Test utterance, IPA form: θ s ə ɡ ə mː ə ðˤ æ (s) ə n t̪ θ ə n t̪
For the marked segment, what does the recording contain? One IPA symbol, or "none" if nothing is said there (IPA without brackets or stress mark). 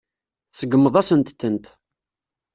s